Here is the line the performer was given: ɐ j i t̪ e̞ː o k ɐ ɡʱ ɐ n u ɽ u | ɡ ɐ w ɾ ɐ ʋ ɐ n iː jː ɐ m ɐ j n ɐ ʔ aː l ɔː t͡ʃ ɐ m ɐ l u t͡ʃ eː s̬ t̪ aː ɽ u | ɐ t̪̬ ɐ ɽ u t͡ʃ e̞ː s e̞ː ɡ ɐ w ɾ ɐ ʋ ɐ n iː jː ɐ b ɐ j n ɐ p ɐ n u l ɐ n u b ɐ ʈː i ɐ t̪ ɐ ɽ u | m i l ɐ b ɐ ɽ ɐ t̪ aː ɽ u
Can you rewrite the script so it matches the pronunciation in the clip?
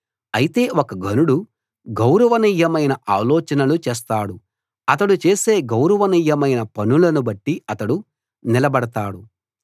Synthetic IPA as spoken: ɐ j i t̪ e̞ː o k ɐ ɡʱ ɐ n u ɽ u | ɡ ɐ w ɾ ɐ ʋ ɐ n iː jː ɐ m ɐ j n ɐ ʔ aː l ɔː t͡ʃ ɐ n ɐ l u t͡ʃ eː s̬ t̪ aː ɽ u | ɐ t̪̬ ɐ ɽ u t͡ʃ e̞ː s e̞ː ɡ ɐ w ɾ ɐ ʋ ɐ n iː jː ɐ m ɐ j n ɐ p ɐ n u l ɐ n u b ɐ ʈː i ɐ t̪ ɐ ɽ u | n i l ɐ b ɐ ɽ ɐ t̪ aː ɽ u